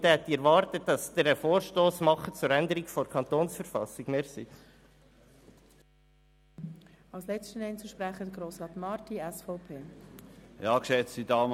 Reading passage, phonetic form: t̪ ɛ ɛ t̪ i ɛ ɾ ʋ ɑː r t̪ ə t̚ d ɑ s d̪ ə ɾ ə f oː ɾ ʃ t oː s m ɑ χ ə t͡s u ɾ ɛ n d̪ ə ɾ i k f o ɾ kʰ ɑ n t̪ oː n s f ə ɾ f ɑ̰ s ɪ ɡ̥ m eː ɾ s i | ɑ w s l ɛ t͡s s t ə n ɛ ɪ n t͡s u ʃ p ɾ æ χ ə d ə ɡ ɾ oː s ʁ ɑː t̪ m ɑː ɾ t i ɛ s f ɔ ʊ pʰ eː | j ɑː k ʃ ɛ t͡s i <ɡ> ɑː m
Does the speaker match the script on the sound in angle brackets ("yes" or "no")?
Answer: no